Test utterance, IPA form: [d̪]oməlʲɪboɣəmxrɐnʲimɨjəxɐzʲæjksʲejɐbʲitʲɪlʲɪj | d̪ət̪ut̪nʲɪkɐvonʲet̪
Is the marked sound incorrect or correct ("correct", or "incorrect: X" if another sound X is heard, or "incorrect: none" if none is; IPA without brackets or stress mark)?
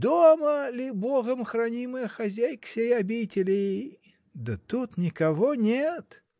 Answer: correct